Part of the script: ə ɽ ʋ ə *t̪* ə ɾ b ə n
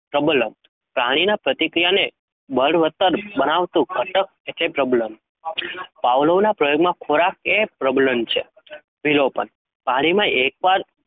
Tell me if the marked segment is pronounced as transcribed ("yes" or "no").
yes